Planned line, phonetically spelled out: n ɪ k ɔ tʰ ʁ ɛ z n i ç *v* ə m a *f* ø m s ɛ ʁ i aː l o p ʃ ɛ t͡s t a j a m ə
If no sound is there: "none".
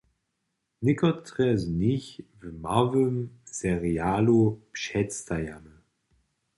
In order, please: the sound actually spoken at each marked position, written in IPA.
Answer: v, v

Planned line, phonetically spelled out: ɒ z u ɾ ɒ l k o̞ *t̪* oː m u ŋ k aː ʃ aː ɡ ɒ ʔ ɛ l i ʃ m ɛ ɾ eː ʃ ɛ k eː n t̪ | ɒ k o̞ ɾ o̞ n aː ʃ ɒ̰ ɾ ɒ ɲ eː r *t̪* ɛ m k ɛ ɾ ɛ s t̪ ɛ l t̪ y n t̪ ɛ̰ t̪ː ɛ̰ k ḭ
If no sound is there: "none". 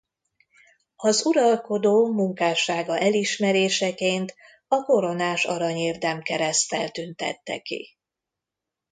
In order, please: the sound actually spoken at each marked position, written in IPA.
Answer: d̪, d̪

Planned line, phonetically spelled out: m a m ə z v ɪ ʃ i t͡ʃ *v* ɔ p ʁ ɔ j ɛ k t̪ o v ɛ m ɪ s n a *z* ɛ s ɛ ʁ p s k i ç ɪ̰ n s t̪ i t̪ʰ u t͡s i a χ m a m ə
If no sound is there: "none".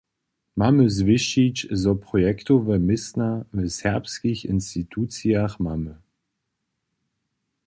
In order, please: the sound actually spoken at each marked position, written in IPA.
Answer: z, v

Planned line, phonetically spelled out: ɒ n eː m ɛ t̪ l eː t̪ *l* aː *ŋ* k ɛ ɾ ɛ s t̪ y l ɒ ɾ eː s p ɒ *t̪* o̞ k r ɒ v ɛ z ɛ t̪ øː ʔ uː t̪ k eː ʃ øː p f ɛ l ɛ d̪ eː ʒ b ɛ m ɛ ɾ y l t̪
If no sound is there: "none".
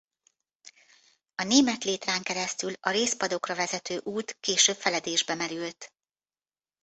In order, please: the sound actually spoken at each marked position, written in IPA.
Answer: r, ŋ, d̪

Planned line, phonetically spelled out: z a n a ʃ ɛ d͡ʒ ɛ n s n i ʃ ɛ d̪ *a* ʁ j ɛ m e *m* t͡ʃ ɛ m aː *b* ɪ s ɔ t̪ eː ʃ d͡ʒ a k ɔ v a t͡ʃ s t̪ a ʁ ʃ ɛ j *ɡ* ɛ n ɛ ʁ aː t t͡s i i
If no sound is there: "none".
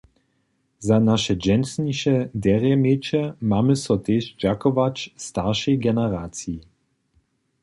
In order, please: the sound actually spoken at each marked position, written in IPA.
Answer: ɛ, none, m, ɡ

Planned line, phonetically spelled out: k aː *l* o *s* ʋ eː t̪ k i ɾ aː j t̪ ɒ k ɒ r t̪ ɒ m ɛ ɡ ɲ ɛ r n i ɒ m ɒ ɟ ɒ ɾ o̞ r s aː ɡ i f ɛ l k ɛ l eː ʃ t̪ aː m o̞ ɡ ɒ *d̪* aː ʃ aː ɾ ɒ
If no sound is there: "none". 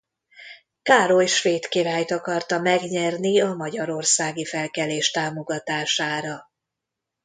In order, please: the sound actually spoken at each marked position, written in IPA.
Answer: ɾ, ʃ, t̪

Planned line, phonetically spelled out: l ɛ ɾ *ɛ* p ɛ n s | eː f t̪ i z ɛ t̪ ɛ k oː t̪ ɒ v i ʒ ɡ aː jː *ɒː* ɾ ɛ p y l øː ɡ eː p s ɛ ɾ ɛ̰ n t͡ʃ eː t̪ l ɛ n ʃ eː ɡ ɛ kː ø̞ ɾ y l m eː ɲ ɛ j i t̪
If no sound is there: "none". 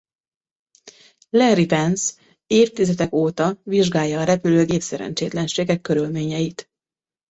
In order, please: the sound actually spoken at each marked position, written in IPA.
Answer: i, ɒː

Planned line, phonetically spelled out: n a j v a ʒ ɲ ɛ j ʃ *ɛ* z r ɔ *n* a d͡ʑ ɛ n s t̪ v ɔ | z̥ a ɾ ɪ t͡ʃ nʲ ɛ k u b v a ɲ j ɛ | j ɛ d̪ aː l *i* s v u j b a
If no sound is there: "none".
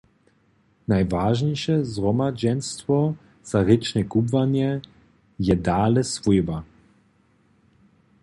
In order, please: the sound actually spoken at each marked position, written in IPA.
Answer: ɛ, m, ɛ

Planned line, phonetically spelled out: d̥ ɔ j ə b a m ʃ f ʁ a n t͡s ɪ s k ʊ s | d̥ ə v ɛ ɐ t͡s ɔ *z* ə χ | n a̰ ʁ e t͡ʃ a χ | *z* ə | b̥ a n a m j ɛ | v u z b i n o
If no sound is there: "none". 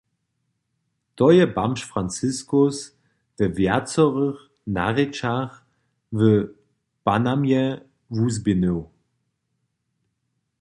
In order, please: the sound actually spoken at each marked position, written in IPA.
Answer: ʁ, v

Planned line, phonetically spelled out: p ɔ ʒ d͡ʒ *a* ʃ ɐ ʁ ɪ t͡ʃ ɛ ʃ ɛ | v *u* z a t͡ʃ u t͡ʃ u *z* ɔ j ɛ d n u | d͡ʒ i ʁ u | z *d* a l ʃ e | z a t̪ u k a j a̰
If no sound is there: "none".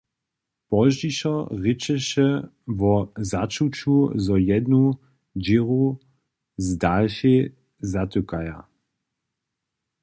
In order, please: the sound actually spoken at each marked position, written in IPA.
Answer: i, ɔ, z, d

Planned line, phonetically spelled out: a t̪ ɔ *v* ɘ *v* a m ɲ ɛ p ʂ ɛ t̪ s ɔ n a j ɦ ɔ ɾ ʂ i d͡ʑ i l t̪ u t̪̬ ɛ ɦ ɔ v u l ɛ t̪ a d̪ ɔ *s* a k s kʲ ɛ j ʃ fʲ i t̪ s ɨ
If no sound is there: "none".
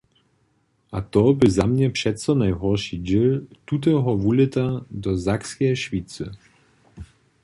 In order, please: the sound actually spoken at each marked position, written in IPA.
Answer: b, z, z

